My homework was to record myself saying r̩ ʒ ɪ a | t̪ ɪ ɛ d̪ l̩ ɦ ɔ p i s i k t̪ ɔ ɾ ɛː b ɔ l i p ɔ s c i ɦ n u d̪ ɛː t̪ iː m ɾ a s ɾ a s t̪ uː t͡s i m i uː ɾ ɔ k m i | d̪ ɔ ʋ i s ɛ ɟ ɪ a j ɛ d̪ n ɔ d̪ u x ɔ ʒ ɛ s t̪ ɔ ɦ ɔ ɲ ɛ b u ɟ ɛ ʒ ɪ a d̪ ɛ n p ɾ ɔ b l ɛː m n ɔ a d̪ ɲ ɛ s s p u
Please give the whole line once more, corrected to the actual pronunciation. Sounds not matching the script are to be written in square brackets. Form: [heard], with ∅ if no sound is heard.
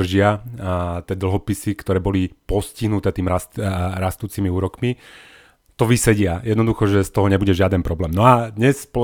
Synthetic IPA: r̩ ʒ ɪ a | t̪ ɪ ɛ d̪ l̩ ɦ ɔ p i s i k t̪ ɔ ɾ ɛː b ɔ l i p ɔ s c i ɦ n u [t̪] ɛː t̪ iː m ɾ a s ɾ a s t̪ uː t͡s i m i uː ɾ ɔ k m i | [t̪] ɔ ʋ i s ɛ ɟ ɪ a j ɛ d̪ n ɔ d̪ u x ɔ ʒ ɛ s t̪ ɔ ɦ ɔ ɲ ɛ b u ɟ ɛ ʒ ɪ a d̪ ɛ n p ɾ ɔ b l ɛː m n ɔ a d̪ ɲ ɛ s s p [ɔ]